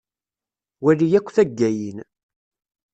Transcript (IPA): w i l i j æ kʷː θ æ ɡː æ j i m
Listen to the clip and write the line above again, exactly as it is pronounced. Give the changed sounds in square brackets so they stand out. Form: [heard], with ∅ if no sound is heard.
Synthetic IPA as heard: w [æ] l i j æ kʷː θ æ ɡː æ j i [n]